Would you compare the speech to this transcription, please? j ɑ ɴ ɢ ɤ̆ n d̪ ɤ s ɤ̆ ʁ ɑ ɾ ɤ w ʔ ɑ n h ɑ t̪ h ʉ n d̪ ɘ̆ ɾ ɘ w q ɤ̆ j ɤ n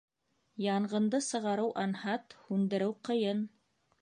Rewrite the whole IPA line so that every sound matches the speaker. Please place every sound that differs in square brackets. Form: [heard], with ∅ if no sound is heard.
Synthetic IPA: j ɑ ɴ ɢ ɤ̆ n d̪ ɤ s ɤ̆ ʁ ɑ ɾ ɤ w ʔ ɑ n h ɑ t̪ h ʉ n d̪ ɘ̆ ɾ ɘ w q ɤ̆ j ɤ n